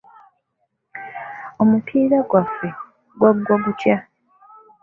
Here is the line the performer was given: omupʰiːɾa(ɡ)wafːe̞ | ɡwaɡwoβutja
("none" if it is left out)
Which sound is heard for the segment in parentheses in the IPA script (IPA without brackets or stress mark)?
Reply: ɡ